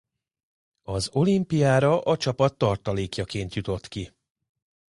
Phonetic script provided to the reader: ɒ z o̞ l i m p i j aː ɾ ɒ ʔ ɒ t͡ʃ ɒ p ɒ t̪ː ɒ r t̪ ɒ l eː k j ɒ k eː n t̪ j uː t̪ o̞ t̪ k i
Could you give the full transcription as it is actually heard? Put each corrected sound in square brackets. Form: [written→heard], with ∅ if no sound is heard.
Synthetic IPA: ɒ z o̞ l i m p i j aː ɾ ɒ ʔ ɒ t͡ʃ ɒ p ɒ t̪ː ɒ r t̪ ɒ l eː k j ɒ k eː n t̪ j [uː→u] t̪ o̞ t̪ k i